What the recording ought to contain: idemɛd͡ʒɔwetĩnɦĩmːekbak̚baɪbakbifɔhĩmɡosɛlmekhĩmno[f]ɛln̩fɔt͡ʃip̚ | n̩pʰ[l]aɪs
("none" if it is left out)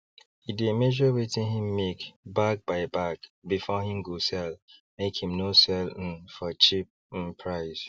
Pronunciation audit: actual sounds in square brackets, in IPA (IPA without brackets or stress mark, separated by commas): s, ɹ